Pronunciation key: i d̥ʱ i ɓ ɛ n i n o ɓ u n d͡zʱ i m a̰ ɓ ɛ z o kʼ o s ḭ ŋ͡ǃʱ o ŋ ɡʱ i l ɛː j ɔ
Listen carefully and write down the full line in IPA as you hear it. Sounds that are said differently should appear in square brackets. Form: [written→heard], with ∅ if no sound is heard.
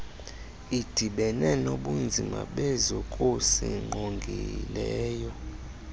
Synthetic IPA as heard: i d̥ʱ i ɓ ɛ n [i→ɛ] n o ɓ u n d͡zʱ i m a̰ ɓ ɛ z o kʼ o s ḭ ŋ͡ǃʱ o ŋ ɡʱ i l ɛː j ɔ